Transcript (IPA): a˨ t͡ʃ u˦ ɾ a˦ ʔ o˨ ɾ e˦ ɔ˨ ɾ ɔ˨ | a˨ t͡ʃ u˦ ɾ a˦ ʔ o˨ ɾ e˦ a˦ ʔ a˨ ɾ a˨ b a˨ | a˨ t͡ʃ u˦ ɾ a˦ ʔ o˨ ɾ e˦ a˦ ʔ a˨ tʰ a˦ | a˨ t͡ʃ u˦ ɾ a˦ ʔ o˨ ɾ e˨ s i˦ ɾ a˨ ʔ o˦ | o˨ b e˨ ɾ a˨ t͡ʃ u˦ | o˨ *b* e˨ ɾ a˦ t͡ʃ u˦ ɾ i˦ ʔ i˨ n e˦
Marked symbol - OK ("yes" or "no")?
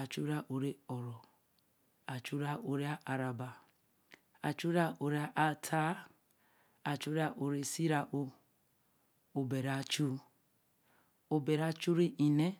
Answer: yes